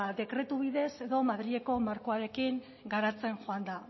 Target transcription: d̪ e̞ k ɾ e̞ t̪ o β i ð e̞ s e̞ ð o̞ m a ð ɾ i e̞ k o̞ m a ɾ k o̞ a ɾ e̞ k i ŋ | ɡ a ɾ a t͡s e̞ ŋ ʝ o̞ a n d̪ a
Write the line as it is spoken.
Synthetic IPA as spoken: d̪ e̞ k ɾ e̞ t̪ u β i ð e̞ s e̞ ð o̞ m a ð ɾ i e̞ k o̞ m a ɾ k o̞ a ɾ e̞ k i ŋ | ɡ a ɾ a t͡s e̞ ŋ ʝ o̞ a n d̪ a